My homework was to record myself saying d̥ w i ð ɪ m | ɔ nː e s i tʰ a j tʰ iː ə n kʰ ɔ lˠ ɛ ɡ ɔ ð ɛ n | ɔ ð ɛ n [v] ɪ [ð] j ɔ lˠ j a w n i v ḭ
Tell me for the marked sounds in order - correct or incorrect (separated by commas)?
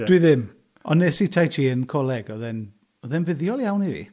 correct, correct